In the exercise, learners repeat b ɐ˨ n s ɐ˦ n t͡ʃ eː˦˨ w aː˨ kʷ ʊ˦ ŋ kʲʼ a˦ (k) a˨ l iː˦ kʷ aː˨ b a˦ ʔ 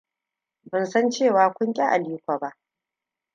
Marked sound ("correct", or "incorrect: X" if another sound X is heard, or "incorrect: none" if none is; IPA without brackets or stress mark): incorrect: ʔ